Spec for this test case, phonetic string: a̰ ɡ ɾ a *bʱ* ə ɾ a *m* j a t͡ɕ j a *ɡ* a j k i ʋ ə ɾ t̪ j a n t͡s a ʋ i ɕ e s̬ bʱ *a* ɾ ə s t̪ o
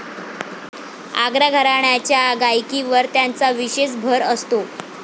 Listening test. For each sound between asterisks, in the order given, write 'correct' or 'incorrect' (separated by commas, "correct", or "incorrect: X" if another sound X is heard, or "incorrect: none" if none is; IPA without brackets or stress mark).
incorrect: ɡʱ, incorrect: ɳ, correct, incorrect: ə